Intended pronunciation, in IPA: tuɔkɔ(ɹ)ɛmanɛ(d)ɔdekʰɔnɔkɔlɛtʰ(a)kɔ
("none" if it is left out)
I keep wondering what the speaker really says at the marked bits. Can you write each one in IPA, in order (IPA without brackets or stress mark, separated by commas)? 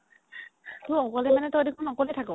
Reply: l, t, a